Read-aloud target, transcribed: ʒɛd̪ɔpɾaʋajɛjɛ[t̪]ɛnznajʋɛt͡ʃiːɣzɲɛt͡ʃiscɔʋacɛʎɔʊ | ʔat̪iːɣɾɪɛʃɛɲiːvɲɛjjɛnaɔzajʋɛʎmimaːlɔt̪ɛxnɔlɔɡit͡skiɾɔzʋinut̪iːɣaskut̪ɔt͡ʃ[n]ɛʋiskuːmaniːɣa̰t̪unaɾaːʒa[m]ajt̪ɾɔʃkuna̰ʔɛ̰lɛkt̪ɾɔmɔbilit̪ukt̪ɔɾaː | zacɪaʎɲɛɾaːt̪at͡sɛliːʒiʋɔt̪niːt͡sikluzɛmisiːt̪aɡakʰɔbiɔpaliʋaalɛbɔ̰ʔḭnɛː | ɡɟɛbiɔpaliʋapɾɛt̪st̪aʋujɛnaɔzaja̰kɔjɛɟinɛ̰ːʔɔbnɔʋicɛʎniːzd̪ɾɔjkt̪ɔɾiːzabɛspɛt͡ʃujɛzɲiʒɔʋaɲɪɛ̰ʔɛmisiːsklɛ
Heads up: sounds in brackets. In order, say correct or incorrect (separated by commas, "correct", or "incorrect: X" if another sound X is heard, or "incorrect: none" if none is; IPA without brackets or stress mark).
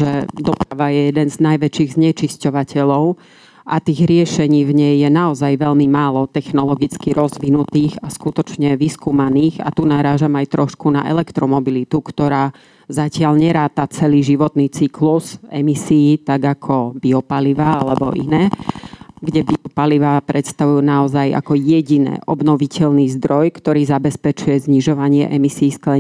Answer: incorrect: d̪, incorrect: ɲ, correct